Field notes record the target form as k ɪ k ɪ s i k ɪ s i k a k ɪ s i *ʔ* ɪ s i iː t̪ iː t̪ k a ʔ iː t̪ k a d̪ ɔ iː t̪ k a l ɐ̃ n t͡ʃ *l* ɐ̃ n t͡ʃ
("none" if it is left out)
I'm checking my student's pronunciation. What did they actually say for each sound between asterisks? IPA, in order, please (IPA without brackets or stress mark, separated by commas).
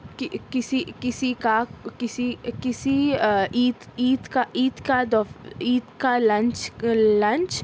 k, l